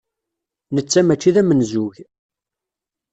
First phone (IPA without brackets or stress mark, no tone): n